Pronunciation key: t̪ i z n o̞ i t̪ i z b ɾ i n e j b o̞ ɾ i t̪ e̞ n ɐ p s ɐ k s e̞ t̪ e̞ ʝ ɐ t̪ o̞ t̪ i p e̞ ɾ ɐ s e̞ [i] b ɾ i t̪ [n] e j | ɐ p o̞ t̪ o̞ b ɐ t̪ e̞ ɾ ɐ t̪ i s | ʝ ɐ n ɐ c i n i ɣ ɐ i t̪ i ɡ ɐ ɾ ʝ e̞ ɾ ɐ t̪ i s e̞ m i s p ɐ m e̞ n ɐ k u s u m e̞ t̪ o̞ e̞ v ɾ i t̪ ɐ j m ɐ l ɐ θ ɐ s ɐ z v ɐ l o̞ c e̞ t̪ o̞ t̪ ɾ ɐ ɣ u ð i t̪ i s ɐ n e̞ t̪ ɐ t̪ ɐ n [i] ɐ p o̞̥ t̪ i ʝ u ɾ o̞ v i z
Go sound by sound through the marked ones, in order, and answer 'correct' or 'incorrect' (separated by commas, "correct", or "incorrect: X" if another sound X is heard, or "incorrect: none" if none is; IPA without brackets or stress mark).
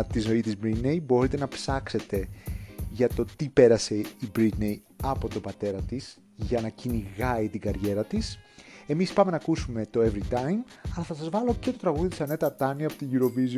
correct, correct, correct